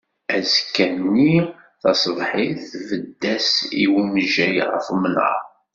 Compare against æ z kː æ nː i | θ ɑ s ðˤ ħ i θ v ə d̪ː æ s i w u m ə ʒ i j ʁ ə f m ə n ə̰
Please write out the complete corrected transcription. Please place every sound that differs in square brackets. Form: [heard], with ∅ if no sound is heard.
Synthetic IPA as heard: æ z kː æ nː i | θ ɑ s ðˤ ħ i θ v ə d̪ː æ s i w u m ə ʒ [æ] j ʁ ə f m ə n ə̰